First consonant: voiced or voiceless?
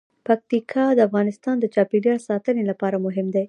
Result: voiceless